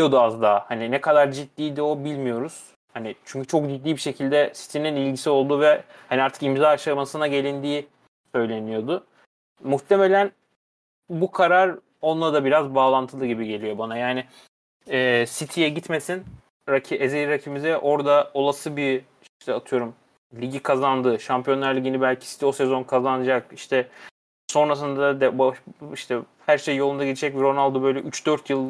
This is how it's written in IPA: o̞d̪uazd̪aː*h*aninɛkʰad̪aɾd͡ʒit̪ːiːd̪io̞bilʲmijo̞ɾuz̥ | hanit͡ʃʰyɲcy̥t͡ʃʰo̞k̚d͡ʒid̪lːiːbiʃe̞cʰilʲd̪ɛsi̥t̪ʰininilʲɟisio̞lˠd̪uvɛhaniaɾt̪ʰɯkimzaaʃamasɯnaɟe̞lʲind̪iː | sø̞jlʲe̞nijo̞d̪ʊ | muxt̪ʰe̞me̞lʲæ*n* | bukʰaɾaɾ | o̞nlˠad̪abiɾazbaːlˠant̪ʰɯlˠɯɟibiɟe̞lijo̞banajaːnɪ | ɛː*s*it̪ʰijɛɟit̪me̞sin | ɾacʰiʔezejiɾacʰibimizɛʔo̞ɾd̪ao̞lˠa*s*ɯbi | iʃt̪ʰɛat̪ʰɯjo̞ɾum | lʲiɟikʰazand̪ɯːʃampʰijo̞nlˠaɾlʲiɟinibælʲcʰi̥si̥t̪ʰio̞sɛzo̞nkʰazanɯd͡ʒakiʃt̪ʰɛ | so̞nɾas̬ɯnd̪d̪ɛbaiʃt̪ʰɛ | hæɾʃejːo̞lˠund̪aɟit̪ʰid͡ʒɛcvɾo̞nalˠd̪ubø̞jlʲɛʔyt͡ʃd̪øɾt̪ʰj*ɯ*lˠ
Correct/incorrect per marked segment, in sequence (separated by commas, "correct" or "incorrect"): correct, correct, correct, correct, correct